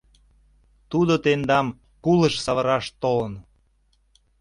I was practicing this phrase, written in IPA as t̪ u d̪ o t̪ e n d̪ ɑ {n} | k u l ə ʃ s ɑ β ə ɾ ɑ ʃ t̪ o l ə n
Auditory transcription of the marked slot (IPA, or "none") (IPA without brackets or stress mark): m